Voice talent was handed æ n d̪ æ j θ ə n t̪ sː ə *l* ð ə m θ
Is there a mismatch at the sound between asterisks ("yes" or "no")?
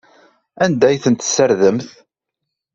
yes